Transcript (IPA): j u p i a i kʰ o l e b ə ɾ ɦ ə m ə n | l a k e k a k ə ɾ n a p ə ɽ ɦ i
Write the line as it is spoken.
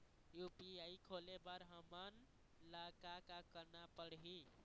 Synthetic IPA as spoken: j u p i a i kʰ o l e b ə ɾ ɦ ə m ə n | l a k a k a k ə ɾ n a p ə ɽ ɦ i